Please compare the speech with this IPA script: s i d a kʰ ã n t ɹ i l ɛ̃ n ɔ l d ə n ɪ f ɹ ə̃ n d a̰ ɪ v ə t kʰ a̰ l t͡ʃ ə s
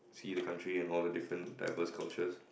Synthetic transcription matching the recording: s i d ə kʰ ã n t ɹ i ɛ̃ n ɔ l d ə d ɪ f ɹ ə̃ n d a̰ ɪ v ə s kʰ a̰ l t͡ʃ ə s